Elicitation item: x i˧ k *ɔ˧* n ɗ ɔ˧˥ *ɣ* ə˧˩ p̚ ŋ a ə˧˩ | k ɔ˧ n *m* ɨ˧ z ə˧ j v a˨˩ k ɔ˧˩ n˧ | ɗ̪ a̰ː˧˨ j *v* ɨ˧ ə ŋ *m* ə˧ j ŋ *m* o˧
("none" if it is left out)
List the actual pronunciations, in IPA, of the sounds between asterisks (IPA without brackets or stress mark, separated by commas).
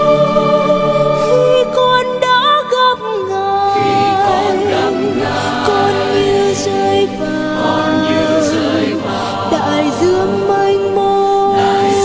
ɔ˧, ɣ, ɲ, z, m, m